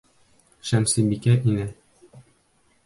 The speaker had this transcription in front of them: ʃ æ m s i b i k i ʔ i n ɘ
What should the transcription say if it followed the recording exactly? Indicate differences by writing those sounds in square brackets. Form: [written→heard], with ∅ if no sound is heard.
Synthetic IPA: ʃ æ m s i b i k [i→æ] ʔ i n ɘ

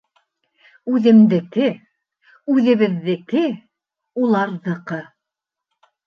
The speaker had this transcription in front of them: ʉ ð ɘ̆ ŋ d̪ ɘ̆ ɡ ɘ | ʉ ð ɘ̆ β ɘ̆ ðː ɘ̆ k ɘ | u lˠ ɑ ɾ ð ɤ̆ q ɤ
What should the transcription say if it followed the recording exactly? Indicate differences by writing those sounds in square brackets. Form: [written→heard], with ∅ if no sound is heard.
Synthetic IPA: ʉ ð ɘ̆ [ŋ→m] d̪ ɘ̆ [ɡ→k] ɘ | ʉ ð ɘ̆ β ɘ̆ ðː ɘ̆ k ɘ | u lˠ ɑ ɾ ð ɤ̆ q ɤ

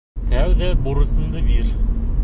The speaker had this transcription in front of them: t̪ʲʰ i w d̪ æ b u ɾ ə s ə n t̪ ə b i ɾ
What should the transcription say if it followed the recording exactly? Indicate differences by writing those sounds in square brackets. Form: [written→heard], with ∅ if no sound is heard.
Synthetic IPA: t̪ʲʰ [i→æ] w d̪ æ b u ɾ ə s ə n [t̪→d̪] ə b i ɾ

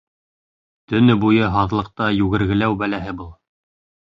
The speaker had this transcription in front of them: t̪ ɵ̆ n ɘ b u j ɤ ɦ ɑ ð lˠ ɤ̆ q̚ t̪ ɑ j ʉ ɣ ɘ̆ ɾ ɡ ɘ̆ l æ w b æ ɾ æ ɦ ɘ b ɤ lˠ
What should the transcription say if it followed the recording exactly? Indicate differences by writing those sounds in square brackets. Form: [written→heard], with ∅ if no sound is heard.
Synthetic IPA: t̪ ɵ̆ n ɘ b u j ɤ ɦ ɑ ð lˠ ɤ̆ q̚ t̪ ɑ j ʉ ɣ ɘ̆ ɾ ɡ ɘ̆ l æ w b æ [ɾ→l] æ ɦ ɘ b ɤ lˠ

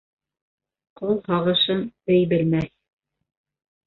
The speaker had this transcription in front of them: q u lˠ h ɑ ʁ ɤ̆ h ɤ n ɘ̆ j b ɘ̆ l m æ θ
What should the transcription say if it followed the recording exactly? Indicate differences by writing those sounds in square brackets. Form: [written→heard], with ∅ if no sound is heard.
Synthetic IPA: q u lˠ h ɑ ʁ ɤ̆ [h→ʃ] ɤ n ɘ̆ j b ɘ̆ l m æ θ

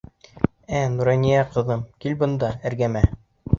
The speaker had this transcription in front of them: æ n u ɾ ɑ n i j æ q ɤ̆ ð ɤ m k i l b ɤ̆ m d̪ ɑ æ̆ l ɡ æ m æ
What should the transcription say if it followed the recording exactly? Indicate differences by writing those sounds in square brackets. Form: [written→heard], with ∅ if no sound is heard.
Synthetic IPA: æ n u ɾ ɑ n i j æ q ɤ̆ ð ɤ m k i l b ɤ̆ [m→n] d̪ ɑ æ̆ [l→ɾ] ɡ æ m æ

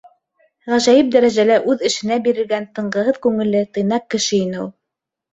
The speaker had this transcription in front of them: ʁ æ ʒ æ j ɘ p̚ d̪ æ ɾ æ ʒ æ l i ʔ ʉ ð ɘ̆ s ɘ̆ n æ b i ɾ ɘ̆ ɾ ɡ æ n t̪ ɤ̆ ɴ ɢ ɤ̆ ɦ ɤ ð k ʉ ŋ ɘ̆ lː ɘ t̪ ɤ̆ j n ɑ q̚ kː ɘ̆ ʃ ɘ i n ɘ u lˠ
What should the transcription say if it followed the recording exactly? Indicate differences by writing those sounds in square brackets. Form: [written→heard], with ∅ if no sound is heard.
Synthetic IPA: ʁ æ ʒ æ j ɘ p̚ d̪ æ ɾ æ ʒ æ l [i→æ] ʔ ʉ ð ɘ̆ [s→ʃ] ɘ̆ n æ b i ɾ ɘ̆ ɾ ɡ æ n t̪ ɤ̆ ɴ ɢ ɤ̆ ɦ ɤ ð k ʉ ŋ ɘ̆ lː ɘ t̪ ɤ̆ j n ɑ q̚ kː ɘ̆ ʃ ɘ i n ɘ u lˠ

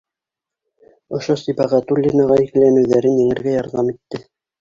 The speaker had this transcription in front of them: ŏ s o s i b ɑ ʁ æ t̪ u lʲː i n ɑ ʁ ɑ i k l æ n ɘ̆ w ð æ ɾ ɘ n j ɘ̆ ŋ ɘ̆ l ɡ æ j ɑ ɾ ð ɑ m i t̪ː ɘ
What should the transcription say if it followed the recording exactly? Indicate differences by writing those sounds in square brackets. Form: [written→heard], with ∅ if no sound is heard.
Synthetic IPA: ŏ [s→ʃ] o s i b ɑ ʁ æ t̪ u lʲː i n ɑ ʁ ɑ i k l æ n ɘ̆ w ð æ ɾ ɘ n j ɘ̆ ŋ ɘ̆ [l→ɾ] ɡ æ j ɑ ɾ ð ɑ m i t̪ː ɘ

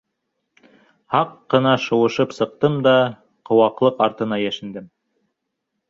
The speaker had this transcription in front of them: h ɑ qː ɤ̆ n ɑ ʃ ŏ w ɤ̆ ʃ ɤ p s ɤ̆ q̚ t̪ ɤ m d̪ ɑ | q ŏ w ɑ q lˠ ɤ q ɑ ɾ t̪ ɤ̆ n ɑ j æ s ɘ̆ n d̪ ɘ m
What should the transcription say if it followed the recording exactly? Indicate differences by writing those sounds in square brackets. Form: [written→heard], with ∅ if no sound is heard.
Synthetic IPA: h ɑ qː ɤ̆ n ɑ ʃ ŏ w ɤ̆ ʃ ɤ p s ɤ̆ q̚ t̪ ɤ m d̪ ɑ | q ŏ w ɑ q lˠ ɤ q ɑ ɾ t̪ ɤ̆ n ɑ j æ [s→ʃ] ɘ̆ n d̪ ɘ m

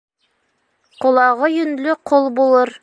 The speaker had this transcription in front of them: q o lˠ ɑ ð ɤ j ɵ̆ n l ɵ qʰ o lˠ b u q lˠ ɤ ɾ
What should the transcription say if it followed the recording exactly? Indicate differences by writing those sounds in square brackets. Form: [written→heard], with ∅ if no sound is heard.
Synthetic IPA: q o lˠ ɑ [ð→ʁ] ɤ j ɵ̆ n l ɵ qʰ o lˠ b u [q→∅] lˠ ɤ ɾ

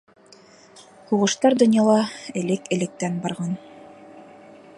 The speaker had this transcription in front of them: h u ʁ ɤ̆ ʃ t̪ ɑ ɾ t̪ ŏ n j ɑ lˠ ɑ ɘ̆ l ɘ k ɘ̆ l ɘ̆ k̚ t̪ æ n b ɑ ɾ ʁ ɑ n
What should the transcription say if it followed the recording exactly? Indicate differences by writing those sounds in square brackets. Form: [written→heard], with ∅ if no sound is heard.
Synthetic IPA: h u ʁ ɤ̆ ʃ t̪ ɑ ɾ [t̪→d̪] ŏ n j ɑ lˠ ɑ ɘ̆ l ɘ k ɘ̆ l ɘ̆ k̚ t̪ æ n b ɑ ɾ ʁ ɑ n

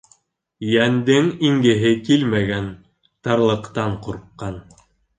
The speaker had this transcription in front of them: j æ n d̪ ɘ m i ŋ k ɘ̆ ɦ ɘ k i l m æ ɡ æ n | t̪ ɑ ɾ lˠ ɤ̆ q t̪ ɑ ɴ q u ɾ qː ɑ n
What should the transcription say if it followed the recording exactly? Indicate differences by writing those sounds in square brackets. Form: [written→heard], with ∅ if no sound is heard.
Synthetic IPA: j æ n d̪ ɘ [m→ŋ] i ŋ [k→ɡ] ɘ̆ ɦ ɘ k i l m æ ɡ æ n | t̪ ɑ ɾ lˠ ɤ̆ q t̪ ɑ ɴ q u ɾ qː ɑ n

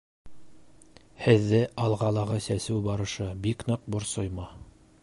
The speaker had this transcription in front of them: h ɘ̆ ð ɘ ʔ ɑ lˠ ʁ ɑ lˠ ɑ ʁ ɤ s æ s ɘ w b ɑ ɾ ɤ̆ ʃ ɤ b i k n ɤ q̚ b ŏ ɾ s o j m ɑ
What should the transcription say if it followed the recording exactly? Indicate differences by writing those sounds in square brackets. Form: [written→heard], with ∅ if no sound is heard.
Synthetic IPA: h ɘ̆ [ð→ðː] ɘ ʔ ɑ lˠ ʁ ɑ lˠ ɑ ʁ ɤ s æ s ɘ w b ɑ ɾ ɤ̆ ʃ ɤ b i k n ɤ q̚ b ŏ ɾ s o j m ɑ

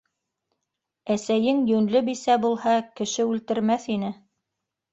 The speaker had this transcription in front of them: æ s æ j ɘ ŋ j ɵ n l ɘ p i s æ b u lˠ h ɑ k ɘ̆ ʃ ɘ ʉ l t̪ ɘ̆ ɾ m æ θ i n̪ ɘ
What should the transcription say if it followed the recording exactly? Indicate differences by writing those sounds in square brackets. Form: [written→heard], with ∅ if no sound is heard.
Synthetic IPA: æ s æ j ɘ ŋ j ɵ n l ɘ [p→b] i s æ b u lˠ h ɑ k ɘ̆ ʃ ɘ ʉ l t̪ ɘ̆ ɾ m æ θ i n̪ ɘ

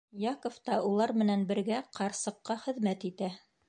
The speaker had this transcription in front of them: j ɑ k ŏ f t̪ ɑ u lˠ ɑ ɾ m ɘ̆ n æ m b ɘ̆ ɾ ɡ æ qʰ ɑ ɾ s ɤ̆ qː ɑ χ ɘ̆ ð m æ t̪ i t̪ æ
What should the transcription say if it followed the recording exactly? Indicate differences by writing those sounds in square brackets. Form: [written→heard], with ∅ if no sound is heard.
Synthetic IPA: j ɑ k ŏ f t̪ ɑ u lˠ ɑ ɾ m ɘ̆ n æ [m→n] b ɘ̆ ɾ ɡ æ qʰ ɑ ɾ s ɤ̆ qː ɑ χ ɘ̆ ð m æ t̪ i t̪ æ

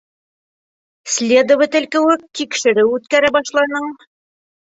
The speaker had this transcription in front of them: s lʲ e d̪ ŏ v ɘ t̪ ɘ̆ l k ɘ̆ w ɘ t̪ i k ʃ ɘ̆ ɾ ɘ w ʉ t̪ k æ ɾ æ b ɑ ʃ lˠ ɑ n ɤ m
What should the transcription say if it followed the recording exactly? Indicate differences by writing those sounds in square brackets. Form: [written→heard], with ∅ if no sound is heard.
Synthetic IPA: s lʲ e d̪ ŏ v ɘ t̪ ɘ̆ l k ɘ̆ w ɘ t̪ i k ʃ ɘ̆ ɾ ɘ w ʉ t̪ k æ ɾ æ b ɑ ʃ lˠ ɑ n ɤ [m→ɴ]

